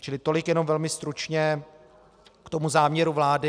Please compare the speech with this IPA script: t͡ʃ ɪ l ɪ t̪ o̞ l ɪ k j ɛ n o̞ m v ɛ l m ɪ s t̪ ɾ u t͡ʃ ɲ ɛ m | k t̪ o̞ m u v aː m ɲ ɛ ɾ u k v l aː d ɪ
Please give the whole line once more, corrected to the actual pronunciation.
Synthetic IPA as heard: t͡ʃ ɪ l ɪ t̪ o̞ l ɪ k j ɛ n o̞ m v ɛ l m ɪ s t̪ ɾ u t͡ʃ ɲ ɛ | k t̪ o̞ m u z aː m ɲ ɛ ɾ u v l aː d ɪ